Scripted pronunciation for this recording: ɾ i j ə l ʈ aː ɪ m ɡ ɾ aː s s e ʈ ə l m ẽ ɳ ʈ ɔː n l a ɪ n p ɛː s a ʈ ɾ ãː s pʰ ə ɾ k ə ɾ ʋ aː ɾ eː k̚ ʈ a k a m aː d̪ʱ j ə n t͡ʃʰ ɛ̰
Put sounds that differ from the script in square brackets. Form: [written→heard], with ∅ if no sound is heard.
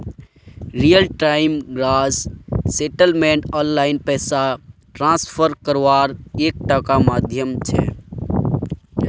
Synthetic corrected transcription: ɾ i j ə l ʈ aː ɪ m ɡ ɾ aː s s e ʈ ə l m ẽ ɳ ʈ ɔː n l a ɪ n p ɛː s a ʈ ɾ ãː s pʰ ə ɾ k ə ɾ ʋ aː ɾ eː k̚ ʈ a k a m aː d̪ʱ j ə [n→m] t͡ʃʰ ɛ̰